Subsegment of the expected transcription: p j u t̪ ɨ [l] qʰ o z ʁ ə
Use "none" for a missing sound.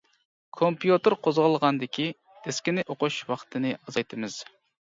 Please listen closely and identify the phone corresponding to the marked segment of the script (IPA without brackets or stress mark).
ɾ